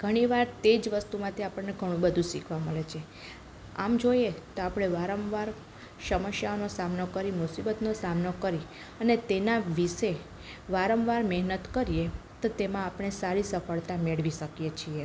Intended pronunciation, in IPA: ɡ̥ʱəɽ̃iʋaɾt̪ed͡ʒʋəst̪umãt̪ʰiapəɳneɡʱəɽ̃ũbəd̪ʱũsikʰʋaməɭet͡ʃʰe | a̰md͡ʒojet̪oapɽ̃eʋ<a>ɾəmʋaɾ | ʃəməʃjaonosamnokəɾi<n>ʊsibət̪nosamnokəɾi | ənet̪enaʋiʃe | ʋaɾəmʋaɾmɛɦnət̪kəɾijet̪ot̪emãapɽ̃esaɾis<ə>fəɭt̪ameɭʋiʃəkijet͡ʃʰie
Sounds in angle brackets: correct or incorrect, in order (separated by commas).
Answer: correct, incorrect, correct